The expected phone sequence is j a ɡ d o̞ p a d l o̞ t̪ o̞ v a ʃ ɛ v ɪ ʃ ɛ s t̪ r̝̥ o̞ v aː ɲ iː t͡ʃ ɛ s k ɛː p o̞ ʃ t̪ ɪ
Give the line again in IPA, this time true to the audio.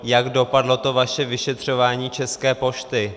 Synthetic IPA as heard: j a ɡ d o̞ p a d l o̞ t̪ o̞ v a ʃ ɛ v ɪ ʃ ɛ t̪ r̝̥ o̞ v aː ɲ iː t͡ʃ ɛ s k ɛː p o̞ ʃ t̪ ɪ